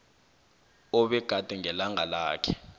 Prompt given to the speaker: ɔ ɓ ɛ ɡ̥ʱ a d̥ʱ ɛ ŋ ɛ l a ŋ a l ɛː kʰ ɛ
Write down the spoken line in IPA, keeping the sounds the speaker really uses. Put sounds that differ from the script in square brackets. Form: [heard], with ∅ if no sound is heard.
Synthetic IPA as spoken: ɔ ɓ ɛ ɡ̥ʱ a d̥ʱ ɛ ŋ ɛ l a ŋ a l [aː] kʰ ɛ

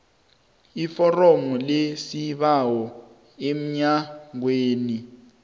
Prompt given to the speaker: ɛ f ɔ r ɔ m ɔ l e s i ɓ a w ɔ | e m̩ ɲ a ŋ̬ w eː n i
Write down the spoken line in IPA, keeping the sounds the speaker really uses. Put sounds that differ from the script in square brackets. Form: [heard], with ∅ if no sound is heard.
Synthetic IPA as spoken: [i] f ɔ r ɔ m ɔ l e s i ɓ a w ɔ | e m̩ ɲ a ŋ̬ w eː n i

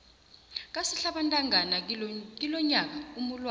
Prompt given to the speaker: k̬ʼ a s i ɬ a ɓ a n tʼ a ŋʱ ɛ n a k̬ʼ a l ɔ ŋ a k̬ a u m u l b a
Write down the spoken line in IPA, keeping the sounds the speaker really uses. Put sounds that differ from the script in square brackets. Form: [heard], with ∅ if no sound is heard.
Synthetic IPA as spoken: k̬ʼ a s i ɬ a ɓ a n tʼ a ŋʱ [a] n a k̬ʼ [i] l ɔ [ɲ] a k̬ a u m u l [w] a

